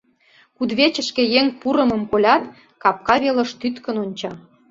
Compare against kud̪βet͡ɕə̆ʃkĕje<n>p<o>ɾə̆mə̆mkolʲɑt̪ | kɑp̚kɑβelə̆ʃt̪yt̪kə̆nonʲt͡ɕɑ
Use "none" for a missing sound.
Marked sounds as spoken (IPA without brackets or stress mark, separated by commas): ŋ, u